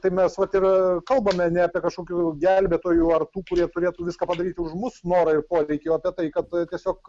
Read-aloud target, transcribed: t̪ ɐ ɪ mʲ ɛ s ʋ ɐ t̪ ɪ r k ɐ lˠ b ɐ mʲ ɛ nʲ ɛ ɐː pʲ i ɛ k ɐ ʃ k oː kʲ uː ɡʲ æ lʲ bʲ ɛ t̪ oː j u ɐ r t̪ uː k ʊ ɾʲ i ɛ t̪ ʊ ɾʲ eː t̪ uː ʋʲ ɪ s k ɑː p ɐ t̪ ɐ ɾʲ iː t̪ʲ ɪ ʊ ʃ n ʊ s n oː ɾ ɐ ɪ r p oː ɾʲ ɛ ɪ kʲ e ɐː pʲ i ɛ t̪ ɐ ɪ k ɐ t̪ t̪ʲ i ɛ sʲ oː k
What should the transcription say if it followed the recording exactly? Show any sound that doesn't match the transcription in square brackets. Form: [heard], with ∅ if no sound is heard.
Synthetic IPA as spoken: t̪ ɐ ɪ mʲ ɛ s ʋ ɐ t̪ ɪ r k ɐ lˠ b ɐ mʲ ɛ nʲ ɛ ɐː pʲ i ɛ k ɐ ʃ k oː kʲ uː ɡʲ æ lʲ bʲ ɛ t̪ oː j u ɐ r t̪ uː k ʊ ɾʲ i ɛ t̪ ʊ ɾʲ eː t̪ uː ʋʲ ɪ s k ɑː p ɐ [d̪] ɐ ɾʲ iː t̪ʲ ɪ ʊ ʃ [m] ʊ s n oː ɾ ɐ ɪ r p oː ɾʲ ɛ ɪ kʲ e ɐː pʲ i ɛ t̪ ɐ ɪ k ɐ t̪ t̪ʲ i ɛ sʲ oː k